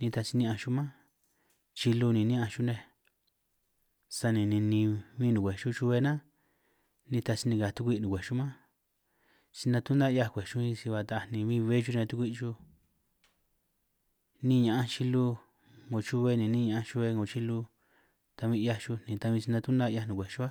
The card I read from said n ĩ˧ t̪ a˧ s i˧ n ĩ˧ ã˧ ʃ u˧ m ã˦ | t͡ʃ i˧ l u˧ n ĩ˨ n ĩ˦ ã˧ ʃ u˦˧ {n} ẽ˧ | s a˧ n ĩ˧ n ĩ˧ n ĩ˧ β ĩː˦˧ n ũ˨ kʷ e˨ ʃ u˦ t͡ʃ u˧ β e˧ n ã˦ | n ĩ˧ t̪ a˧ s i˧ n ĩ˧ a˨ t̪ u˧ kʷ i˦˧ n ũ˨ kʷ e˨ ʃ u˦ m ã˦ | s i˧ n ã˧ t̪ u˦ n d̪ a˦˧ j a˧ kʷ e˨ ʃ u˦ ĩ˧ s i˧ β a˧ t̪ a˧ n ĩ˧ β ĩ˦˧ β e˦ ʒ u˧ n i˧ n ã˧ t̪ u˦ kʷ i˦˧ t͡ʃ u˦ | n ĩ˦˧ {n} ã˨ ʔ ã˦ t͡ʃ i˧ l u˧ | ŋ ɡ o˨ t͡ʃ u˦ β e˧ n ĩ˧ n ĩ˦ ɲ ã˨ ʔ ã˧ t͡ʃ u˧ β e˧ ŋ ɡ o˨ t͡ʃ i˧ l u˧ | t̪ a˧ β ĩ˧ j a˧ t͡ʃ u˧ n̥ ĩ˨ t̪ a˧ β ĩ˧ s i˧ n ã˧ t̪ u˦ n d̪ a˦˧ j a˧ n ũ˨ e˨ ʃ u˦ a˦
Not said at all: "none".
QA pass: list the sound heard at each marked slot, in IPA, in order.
n, ɲ

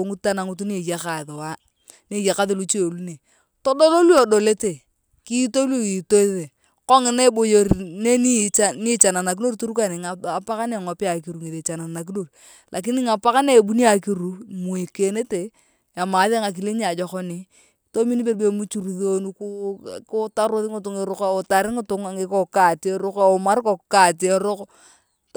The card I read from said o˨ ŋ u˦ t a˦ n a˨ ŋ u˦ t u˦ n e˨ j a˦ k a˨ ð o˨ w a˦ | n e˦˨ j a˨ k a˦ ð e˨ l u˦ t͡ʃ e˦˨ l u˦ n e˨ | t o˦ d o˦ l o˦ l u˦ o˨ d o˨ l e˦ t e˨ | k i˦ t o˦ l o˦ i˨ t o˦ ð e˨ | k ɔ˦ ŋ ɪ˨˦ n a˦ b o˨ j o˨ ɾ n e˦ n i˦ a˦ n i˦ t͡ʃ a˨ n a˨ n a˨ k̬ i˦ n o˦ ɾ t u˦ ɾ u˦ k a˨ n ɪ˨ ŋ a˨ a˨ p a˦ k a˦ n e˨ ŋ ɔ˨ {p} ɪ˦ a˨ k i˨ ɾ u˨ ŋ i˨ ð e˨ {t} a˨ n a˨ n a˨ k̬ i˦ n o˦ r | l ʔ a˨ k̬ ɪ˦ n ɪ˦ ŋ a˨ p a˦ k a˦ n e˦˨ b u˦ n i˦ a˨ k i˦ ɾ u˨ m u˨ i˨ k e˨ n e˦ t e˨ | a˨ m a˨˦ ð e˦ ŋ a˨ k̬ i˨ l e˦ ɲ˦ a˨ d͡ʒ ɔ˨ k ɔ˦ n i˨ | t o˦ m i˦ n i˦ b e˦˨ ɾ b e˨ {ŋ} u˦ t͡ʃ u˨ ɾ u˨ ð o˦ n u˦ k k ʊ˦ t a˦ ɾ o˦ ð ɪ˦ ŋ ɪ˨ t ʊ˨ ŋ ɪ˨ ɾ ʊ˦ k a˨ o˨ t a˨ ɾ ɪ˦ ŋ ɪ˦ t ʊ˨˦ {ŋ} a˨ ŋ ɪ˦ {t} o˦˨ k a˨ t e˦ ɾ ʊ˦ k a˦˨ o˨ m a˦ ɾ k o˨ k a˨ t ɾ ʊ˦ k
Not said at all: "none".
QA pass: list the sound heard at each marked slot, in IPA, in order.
p, t͡ʃ, m, ŋ, k

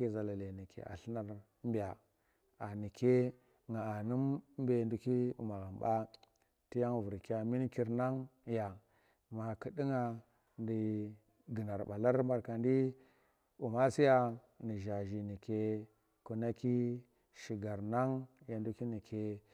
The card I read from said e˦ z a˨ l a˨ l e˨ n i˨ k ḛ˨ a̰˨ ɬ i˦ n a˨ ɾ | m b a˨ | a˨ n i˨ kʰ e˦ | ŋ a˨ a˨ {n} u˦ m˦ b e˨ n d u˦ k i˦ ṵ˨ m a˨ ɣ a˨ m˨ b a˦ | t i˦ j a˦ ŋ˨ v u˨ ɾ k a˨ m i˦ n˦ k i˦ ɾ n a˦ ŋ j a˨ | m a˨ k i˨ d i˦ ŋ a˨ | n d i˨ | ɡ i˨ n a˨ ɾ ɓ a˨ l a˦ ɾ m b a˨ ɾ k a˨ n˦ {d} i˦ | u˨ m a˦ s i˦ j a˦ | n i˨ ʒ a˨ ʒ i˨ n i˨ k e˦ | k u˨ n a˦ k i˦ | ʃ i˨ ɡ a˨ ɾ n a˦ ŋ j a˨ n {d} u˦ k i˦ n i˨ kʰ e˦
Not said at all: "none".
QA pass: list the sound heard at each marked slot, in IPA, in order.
n, d, d

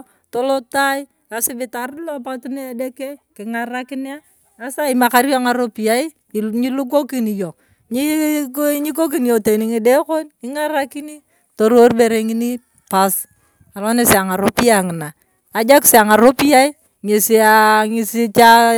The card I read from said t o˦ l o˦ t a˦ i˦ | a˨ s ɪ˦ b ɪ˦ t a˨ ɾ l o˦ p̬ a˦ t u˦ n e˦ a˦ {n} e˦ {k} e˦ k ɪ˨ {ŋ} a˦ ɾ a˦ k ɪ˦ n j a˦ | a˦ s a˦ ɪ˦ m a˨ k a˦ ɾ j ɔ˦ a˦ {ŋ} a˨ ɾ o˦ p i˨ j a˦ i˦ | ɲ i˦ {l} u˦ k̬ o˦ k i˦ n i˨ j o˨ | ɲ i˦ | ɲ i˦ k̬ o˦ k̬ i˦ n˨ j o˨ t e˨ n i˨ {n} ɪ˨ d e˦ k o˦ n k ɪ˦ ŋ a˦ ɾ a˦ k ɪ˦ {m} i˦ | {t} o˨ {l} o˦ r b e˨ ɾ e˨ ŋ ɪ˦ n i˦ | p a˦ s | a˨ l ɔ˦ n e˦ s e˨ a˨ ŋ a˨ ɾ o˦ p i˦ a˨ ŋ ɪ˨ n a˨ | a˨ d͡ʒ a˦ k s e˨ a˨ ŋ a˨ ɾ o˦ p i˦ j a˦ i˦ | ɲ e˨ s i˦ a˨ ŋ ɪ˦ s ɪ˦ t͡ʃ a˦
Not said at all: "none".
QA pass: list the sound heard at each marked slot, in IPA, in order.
d, k, ŋ, ŋ, l, ŋ, n, t, ɾ

